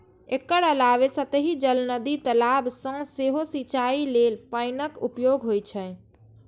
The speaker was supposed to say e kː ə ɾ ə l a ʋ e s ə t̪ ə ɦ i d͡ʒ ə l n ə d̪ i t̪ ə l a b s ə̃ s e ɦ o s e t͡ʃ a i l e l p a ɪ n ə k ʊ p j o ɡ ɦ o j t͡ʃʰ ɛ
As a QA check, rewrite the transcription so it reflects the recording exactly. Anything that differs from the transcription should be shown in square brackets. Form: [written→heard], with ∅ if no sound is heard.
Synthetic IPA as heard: e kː ə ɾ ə l a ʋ e s ə t̪ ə ɦ i d͡ʒ ə l n ə d̪ i t̪ ə l a b s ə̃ s e ɦ o s [e→i] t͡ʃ a i l e l p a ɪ n ə k [ʊ→u] p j o ɡ ɦ o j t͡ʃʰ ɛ